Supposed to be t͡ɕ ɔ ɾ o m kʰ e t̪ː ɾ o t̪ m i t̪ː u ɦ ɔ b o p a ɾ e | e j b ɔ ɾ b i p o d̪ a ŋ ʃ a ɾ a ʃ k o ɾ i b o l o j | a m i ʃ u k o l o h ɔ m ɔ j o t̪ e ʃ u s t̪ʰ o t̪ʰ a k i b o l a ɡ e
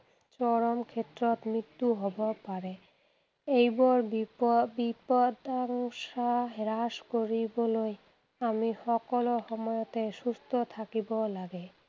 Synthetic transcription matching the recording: t͡ɕ ɔ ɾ o m kʰ e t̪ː ɾ o t̪ m i t̪ː u ɦ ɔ b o p a ɾ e | e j b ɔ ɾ b i p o d̪ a ŋ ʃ a ɾ a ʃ k o ɾ i b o l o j | a m i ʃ ɔ k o l o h ɔ m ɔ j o t̪ e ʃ u s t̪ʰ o t̪ʰ a k i b o l a ɡ e